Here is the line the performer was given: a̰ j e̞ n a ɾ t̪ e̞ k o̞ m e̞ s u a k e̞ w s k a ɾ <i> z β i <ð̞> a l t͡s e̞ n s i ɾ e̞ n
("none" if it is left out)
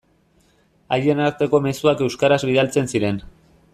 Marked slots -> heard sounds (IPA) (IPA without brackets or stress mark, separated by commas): a, ð̞